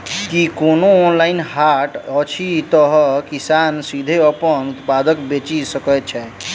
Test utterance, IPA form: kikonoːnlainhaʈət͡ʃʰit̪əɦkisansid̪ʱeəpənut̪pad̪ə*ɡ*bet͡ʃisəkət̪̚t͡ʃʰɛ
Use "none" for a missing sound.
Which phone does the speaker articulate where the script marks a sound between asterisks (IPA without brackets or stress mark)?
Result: k